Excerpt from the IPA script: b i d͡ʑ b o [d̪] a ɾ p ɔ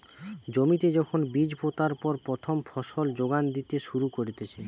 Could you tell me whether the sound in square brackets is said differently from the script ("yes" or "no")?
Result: yes